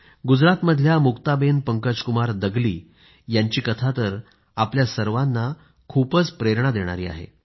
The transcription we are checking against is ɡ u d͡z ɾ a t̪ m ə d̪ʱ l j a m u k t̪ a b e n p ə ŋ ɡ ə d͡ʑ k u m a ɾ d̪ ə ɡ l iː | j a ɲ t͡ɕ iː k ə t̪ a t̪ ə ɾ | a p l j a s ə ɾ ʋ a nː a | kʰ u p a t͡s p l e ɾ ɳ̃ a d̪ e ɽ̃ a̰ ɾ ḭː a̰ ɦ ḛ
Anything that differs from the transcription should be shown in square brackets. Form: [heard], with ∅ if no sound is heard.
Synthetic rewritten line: ɡ u d͡z ɾ a t̪ m ə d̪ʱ l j a m u k t̪ a b e n p ə ŋ [k] ə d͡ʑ k u m a ɾ d̪ ə ɡ l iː | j a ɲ t͡ɕ iː k ə [t̪ʰ] a t̪ ə ɾ | a p l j a s ə ɾ ʋ a nː a | kʰ u p [ə] t͡s p [ɾ] e ɾ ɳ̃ a d̪ e ɽ̃ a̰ ɾ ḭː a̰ ɦ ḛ